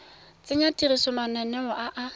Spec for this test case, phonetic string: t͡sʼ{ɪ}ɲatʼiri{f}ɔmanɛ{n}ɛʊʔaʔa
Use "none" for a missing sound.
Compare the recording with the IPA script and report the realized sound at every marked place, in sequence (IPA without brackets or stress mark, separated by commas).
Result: ɪ, s, n